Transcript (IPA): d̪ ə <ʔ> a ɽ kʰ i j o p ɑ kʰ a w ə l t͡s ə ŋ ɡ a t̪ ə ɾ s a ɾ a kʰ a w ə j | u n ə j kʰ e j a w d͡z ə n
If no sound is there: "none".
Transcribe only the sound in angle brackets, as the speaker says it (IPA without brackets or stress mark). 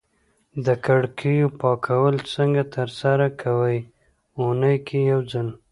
k